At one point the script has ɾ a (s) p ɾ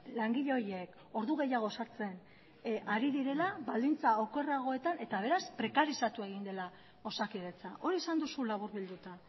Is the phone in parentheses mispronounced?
no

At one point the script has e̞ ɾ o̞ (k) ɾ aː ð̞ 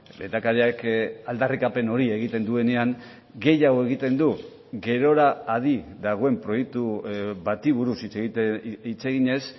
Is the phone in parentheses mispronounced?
yes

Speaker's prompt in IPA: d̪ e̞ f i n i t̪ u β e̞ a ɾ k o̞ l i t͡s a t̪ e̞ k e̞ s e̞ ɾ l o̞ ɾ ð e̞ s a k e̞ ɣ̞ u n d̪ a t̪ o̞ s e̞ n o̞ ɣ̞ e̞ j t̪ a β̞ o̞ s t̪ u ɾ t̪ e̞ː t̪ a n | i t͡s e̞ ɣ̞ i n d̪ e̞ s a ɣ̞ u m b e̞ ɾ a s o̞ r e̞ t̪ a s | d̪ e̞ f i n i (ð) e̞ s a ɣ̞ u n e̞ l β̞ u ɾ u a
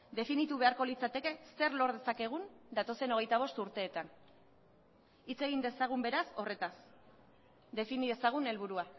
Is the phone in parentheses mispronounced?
no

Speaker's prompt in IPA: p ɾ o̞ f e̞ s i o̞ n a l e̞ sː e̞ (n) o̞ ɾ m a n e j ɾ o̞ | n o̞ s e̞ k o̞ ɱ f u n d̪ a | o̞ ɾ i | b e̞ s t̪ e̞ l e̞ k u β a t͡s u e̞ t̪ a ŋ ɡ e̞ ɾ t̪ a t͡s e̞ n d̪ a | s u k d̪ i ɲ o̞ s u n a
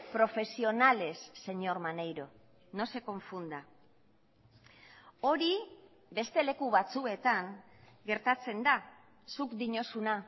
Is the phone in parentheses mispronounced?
yes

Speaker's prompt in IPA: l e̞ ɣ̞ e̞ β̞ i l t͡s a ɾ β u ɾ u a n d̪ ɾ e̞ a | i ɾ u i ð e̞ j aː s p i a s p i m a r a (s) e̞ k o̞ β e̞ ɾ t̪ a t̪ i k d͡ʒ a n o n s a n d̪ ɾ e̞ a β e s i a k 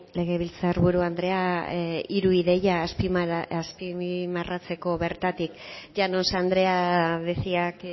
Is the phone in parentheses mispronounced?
yes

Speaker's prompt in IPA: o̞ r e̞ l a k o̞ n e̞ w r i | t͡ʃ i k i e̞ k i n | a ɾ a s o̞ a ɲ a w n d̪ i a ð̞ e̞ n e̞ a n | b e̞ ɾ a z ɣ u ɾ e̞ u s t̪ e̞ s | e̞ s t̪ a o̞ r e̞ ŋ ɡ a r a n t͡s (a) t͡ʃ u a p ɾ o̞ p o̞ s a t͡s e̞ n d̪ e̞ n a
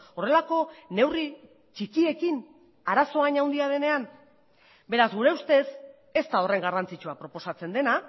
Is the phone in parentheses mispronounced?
yes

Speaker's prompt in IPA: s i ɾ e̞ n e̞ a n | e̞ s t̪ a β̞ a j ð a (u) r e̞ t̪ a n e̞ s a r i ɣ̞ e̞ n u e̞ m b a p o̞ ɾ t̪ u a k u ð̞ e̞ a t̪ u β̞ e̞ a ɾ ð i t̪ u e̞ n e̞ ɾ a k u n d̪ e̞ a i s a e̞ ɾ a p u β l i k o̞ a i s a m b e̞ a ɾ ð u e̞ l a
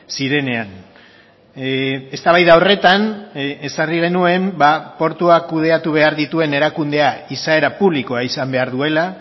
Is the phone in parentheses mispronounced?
yes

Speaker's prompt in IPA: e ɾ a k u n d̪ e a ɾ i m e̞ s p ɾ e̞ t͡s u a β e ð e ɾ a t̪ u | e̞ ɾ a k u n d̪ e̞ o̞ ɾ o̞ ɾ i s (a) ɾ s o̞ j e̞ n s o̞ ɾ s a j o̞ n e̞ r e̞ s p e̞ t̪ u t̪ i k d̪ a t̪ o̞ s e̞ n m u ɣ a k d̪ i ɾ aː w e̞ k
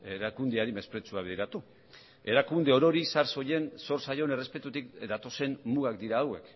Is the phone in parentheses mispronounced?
no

